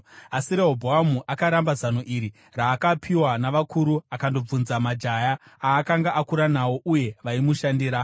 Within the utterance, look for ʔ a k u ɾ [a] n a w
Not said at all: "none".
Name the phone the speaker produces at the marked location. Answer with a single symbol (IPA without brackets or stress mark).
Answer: a